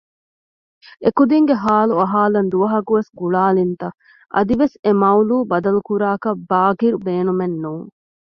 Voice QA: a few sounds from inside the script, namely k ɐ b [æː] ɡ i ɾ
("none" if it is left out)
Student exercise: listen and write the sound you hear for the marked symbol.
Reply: aː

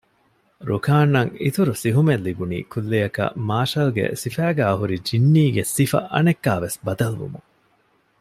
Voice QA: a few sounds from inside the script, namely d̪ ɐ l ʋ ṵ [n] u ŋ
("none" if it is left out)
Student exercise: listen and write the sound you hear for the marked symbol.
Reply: m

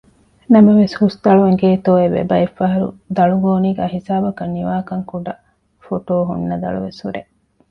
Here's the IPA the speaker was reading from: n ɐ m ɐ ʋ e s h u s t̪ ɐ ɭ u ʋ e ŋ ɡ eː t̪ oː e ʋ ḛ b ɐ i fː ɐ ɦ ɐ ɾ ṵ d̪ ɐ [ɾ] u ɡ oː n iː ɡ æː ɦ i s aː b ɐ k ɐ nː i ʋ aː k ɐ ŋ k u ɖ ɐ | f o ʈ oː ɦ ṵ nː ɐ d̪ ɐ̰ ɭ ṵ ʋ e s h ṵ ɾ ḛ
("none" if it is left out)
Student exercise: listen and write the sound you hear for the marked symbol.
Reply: ɭ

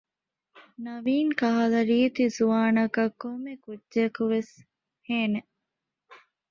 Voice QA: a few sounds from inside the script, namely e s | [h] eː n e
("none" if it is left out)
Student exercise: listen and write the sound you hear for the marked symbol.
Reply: h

